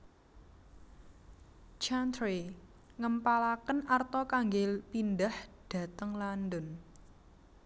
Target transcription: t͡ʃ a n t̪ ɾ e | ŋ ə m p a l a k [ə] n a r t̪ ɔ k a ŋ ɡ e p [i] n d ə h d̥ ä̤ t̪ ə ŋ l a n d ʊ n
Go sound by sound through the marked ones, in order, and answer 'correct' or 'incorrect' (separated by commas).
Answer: correct, correct